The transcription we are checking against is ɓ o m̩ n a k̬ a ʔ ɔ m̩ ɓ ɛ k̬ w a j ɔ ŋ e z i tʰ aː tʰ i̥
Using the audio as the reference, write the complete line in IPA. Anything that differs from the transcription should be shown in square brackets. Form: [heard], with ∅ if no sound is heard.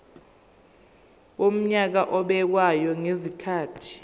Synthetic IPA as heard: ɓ o m̩ [ɲ] a k̬ a ʔ ɔ [∅] ɓ ɛ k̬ w a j ɔ ŋ e z i [kʰ] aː tʰ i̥

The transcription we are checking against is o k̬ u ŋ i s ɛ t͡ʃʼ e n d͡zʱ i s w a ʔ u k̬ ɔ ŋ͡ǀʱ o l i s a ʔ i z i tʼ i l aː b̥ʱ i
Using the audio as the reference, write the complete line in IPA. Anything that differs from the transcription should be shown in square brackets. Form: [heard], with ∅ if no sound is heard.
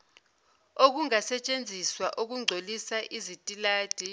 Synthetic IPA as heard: o k̬ u ŋ [a] s ɛ t͡ʃʼ e n d͡zʱ i s w a ʔ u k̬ [u] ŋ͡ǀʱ o l i s a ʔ i z i tʼ i l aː [d̥ʱ] i

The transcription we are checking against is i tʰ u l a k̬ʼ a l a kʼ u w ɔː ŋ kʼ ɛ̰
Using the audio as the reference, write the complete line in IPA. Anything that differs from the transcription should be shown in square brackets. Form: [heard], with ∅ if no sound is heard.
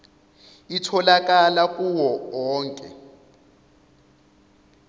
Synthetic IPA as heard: i tʰ [ɔ] l a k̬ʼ a l a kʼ u w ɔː ŋ kʼ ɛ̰

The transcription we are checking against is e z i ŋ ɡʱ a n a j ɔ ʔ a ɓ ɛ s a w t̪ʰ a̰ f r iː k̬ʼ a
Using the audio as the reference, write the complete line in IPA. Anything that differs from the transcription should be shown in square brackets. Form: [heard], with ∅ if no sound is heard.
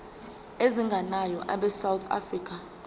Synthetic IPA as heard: e z i ŋ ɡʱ a n a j ɔ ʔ a ɓ ɛ s a w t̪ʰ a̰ f r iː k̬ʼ a

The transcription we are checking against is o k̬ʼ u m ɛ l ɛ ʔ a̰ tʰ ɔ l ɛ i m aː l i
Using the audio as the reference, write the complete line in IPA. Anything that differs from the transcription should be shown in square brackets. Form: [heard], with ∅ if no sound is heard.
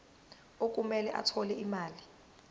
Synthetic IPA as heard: o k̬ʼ u m ɛ l ɛ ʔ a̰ tʰ ɔ l ɛ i m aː l i

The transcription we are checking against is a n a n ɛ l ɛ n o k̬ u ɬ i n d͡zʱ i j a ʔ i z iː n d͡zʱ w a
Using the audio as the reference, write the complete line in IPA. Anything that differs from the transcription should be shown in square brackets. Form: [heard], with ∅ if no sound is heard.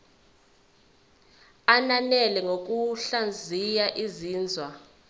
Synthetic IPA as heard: a n a n ɛ l ɛ [ŋ] o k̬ u ɬ [a] n d͡zʱ i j a ʔ i z iː n d͡zʱ w a

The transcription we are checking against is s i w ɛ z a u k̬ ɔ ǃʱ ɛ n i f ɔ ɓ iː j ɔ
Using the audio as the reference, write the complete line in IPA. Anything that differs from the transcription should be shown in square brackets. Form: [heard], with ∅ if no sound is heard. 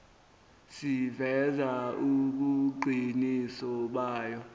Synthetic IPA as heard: s i [v] ɛ z a u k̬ [u] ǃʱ [i] n i [s] ɔ ɓ [aː] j ɔ

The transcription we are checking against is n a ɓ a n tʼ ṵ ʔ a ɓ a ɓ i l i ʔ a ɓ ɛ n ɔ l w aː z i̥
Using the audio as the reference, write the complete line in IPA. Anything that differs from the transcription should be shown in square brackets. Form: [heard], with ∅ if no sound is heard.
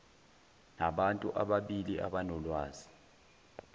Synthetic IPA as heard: n a ɓ a n tʼ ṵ ʔ a ɓ a ɓ i l i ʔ a ɓ [a] n ɔ l w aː z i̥

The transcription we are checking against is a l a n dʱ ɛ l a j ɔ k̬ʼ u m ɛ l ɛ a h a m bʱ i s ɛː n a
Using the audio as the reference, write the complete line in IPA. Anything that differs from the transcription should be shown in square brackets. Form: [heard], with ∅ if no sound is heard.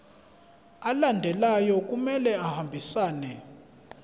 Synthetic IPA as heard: a l a n dʱ ɛ l a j ɔ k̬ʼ u m ɛ l ɛ a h a m bʱ i s [aː] n [ɛ]

